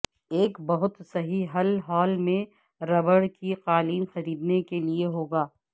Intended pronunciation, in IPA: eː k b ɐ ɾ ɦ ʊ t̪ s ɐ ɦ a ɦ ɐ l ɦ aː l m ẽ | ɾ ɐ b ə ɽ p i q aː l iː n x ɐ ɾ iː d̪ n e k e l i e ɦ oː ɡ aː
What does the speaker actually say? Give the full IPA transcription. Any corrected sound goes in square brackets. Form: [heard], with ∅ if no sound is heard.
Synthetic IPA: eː k b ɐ [∅] ɦ ʊ t̪ s ɐ ɦ [i] ɦ ɐ l ɦ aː l m ẽ | ɾ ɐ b ə ɽ [k] i q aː l iː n x ɐ ɾ iː d̪ n e k e l i e ɦ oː ɡ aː